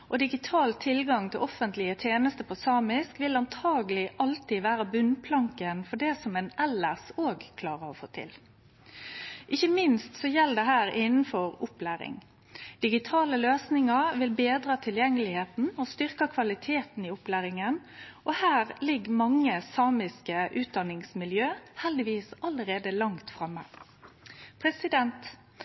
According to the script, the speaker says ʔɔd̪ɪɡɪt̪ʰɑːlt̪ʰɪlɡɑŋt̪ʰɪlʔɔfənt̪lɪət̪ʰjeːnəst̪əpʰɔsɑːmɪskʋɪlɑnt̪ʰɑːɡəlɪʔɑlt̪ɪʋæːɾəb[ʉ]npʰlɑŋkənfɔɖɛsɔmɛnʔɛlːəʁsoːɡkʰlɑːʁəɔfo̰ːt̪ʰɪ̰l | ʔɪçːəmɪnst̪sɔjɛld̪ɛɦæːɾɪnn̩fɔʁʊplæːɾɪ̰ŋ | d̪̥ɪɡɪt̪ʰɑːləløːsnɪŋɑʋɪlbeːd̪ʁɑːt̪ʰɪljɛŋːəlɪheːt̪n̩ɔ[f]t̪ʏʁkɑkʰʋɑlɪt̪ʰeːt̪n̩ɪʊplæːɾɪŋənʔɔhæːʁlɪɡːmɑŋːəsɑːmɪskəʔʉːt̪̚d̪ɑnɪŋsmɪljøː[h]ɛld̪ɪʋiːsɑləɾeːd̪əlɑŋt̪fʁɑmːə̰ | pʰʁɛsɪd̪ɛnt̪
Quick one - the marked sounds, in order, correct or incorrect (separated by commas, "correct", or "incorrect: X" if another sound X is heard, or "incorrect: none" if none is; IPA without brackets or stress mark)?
correct, incorrect: s, correct